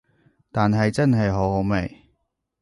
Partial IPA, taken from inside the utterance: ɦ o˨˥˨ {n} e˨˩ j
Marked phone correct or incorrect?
incorrect